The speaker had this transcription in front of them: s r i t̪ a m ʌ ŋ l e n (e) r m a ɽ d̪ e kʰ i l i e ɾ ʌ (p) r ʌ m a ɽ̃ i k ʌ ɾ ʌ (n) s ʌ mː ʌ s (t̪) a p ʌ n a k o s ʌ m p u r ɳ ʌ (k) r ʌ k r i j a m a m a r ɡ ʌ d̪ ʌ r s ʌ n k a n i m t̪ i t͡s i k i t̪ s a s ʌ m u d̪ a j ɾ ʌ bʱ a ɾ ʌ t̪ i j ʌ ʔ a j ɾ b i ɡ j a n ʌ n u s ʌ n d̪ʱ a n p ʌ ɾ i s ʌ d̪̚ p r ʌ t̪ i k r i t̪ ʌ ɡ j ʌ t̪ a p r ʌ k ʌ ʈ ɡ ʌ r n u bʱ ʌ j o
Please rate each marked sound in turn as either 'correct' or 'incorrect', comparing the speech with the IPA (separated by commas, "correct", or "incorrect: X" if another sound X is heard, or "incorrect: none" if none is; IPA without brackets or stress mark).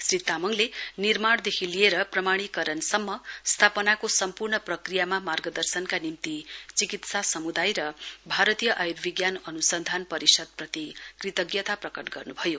incorrect: i, correct, correct, incorrect: t̪ʰ, incorrect: p